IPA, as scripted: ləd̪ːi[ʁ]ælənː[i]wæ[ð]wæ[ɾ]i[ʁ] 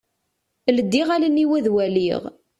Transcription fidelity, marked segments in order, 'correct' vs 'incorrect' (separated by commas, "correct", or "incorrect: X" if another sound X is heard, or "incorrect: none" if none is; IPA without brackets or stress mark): correct, correct, correct, incorrect: l, correct